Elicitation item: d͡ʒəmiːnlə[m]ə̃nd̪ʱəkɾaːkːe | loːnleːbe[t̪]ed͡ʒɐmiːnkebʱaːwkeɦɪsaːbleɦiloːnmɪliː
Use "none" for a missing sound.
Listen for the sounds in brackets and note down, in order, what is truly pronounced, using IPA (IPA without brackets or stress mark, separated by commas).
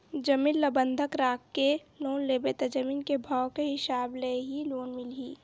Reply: b, t̪